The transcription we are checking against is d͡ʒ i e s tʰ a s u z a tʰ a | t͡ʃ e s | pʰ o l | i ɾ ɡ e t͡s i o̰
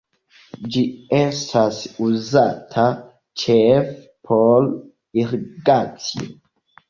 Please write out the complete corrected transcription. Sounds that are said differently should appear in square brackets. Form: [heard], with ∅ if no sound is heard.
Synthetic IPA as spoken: d͡ʒ i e s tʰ a s u z a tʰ a | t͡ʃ e [f] | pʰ o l | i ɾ ɡ [a] t͡s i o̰